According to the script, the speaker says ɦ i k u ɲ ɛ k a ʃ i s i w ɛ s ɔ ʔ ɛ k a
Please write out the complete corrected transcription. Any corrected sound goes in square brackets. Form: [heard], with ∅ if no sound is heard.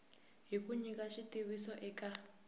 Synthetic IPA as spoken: ɦ i k u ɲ [i] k a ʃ i [t] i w [i] s ɔ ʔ ɛ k a

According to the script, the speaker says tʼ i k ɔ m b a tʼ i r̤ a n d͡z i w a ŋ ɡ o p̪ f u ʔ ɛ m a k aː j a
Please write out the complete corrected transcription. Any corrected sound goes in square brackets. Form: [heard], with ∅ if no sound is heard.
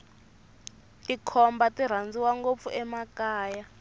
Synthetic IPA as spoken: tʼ i [kʰ] ɔ m b a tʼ i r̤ a n d͡z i w a ŋ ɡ o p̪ f u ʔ ɛ m a k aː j a

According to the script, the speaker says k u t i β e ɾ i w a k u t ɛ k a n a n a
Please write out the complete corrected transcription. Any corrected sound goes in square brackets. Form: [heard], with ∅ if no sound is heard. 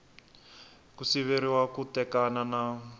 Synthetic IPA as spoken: k u [s] i β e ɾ i w a k u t ɛ k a n a n a

